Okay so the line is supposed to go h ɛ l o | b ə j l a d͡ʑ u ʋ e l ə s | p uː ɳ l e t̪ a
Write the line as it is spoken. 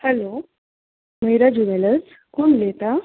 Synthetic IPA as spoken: h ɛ l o | m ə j ɾ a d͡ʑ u ʋ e l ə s | k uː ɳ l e t̪ a